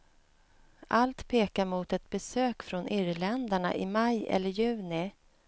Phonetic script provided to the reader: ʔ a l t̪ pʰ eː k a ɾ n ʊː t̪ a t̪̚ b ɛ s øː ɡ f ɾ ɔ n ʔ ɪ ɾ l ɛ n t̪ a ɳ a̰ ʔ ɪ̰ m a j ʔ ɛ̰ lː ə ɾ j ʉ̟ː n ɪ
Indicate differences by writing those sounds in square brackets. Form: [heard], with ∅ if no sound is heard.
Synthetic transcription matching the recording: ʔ a l t̪ pʰ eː k a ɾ [m] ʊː t̪ [ɛ] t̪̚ b ɛ s øː [k] f ɾ ɔ n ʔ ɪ ɾ l ɛ n [d̪] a ɳ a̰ ʔ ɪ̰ m a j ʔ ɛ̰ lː ə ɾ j ʉ̟ː n ɪ